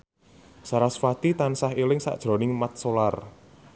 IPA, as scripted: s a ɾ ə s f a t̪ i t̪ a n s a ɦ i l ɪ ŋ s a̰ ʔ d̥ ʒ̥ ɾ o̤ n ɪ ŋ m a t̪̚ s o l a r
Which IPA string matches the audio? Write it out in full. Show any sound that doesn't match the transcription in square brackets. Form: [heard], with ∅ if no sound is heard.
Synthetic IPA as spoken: s a ɾ [a] s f a t̪ i t̪ a n s a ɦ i l ɪ ŋ s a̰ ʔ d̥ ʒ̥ ɾ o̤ n ɪ ŋ m a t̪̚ s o l a r